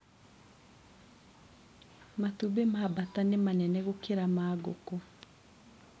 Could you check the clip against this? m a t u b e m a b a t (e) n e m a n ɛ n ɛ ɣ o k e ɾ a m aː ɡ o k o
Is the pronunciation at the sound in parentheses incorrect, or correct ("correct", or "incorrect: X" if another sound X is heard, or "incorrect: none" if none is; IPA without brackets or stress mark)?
incorrect: a